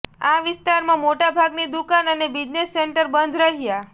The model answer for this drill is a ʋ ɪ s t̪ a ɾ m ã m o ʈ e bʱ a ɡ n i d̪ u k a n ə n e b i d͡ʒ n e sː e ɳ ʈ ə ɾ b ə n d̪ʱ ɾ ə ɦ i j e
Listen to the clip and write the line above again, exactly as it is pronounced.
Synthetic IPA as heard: a ʋ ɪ s t̪ a ɾ m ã m o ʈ a bʱ a ɡ n i d̪ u k a n ə n e b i d͡ʒ n e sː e ɳ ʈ ə ɾ b ə n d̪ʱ ɾ ə ɦ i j a